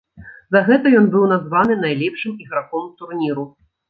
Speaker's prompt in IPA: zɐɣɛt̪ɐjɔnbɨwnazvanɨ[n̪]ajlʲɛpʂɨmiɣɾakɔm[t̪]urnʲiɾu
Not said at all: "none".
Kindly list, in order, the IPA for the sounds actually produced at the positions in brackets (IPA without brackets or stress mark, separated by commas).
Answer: n̪, t̪